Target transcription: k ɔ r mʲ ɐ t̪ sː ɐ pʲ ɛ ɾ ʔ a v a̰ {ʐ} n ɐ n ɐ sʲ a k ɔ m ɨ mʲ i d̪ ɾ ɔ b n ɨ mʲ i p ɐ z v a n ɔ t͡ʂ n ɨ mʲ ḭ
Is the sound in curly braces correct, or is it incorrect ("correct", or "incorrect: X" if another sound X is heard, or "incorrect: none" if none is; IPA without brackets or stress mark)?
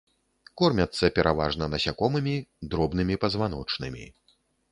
correct